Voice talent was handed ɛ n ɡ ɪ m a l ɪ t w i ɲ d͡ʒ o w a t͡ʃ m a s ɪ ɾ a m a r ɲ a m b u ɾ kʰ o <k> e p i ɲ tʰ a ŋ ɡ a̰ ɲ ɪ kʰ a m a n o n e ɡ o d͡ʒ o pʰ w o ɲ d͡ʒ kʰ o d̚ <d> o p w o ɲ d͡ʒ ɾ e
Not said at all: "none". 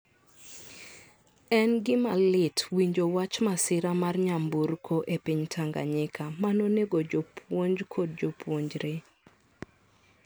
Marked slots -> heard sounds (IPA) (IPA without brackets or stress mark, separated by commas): ʔ, d͡ʒ